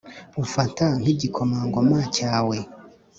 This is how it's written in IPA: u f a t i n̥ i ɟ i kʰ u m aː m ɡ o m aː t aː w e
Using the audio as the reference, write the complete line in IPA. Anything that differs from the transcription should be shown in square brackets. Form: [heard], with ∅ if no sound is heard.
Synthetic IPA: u f a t [a] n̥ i ɟ i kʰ [o] m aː [ŋ] ɡ o m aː [c] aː w e